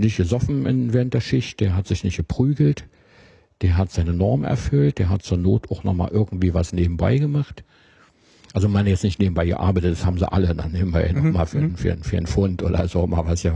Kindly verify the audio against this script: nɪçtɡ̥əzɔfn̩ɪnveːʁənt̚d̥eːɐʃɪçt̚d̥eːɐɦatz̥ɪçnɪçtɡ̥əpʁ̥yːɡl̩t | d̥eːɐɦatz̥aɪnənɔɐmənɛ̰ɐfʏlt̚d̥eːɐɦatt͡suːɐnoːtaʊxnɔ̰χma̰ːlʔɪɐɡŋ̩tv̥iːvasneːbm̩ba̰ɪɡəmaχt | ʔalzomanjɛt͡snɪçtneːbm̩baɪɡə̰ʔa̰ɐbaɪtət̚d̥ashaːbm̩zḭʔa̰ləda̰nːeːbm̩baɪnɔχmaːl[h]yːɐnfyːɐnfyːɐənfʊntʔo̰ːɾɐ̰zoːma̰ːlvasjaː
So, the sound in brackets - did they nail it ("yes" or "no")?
no